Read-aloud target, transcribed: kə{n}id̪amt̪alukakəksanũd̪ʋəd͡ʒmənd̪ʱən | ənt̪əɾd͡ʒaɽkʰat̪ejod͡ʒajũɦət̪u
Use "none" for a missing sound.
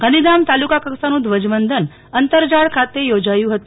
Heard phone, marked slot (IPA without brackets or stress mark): n